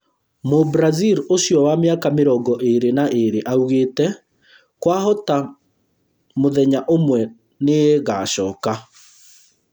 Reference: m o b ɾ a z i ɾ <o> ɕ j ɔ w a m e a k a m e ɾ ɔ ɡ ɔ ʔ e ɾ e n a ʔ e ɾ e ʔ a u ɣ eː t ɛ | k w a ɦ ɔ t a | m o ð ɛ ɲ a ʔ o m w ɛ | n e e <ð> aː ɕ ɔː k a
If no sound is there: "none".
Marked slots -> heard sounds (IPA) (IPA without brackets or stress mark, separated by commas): o, ɣ